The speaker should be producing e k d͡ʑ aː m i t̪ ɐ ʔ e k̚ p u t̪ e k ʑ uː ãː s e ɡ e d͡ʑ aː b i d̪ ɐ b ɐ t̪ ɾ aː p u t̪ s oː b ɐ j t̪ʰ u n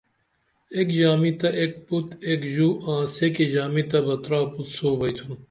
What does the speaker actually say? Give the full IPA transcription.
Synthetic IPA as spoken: e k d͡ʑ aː m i t̪ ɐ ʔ e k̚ p u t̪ e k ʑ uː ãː s e k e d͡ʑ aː m i t̪ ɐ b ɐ t̪ ɾ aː p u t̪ s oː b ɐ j t̪ʰ u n